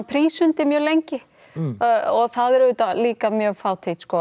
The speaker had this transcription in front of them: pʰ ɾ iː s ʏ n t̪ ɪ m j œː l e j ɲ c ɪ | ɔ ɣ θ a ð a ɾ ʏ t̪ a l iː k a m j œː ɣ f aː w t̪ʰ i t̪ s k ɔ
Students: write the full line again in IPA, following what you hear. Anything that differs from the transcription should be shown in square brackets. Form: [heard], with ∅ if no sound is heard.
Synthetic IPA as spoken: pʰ ɾ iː s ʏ n t̪ ɪ m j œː l e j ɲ c ɪ | ɔ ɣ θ a ð [ɛ] ɾ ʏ t̪ a l iː k a m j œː ɣ f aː w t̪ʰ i t̪ s k ɔ